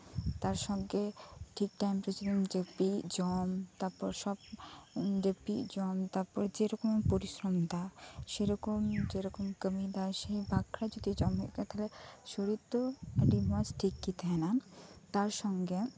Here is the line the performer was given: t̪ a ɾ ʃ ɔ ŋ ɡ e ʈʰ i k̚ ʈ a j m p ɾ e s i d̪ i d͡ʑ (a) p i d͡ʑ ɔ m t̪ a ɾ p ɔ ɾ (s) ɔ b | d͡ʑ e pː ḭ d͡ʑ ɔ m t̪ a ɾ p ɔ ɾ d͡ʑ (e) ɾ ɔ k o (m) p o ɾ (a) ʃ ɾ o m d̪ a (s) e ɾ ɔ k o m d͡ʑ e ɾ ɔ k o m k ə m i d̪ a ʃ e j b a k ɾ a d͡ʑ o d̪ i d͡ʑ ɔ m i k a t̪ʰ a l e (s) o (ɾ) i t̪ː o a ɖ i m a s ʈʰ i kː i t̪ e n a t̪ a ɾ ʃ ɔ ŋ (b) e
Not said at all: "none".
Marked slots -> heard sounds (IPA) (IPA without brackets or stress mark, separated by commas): e, ʃ, e, m, i, ʃ, ʃ, ɾ, ɡ